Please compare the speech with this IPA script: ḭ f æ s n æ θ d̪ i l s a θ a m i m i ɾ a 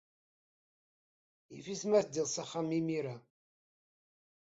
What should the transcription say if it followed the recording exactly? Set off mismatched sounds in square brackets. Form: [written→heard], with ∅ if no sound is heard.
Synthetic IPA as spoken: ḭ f [æ→i] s [n→m] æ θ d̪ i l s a [θ→χ] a m i m i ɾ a